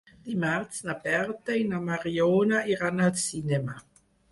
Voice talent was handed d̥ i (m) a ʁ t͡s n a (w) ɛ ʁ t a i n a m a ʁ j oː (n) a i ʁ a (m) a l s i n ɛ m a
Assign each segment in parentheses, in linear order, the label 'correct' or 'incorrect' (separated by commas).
correct, incorrect, correct, incorrect